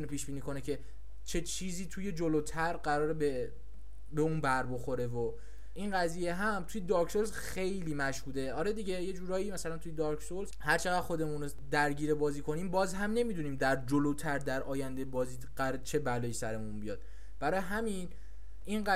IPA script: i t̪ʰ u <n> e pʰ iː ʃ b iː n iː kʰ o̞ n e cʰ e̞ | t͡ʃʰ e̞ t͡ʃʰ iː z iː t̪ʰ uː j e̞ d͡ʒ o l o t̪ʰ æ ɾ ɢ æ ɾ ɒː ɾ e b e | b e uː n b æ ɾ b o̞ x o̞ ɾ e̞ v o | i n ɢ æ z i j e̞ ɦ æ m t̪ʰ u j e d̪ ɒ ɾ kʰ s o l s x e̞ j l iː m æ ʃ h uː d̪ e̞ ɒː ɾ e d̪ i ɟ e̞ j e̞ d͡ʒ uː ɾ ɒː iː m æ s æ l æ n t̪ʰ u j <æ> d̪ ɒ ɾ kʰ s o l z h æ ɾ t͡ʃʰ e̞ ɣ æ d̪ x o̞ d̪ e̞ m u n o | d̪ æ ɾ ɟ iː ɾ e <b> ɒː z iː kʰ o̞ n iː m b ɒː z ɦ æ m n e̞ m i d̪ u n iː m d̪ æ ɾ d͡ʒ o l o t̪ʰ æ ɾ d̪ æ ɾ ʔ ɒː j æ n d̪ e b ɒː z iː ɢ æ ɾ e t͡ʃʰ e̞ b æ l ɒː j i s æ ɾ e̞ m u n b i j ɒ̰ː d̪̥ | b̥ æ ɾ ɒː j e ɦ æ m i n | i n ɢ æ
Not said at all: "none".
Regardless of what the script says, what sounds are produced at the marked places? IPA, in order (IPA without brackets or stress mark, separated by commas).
n, e, b